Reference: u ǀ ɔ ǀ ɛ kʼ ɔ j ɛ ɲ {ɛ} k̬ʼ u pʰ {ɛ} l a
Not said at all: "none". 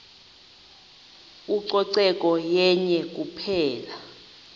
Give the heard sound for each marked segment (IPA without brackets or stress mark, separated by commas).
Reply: ɛ, ɛː